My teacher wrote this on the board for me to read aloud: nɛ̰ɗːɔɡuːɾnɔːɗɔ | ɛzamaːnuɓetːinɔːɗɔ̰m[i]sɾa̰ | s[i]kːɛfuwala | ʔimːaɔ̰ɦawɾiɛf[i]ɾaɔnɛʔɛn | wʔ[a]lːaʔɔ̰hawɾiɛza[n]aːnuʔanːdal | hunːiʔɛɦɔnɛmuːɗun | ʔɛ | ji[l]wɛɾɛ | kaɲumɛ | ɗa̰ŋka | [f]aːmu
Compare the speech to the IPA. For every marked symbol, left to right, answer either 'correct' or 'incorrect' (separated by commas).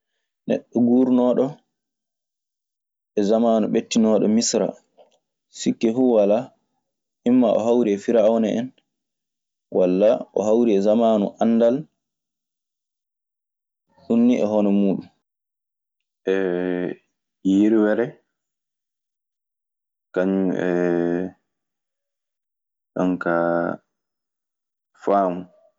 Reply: correct, correct, correct, correct, incorrect, incorrect, correct